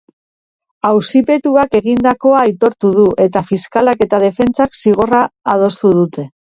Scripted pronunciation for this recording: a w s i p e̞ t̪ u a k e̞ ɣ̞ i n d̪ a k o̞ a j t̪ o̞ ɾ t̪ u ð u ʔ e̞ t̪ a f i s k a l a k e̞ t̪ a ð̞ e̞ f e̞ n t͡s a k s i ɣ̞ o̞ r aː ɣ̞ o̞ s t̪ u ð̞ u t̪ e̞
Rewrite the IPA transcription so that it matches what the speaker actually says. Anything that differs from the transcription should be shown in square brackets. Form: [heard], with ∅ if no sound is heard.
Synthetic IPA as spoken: a w s i p e̞ t̪ u a k e̞ ɣ̞ i n d̪ a k o̞ a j t̪ o̞ ɾ t̪ u ð u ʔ e̞ t̪ a f i s k a l a k e̞ t̪ a ð̞ e̞ f e̞ n t͡s a k s i ɣ̞ o̞ r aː [ð̞] o̞ s t̪ u ð̞ u t̪ e̞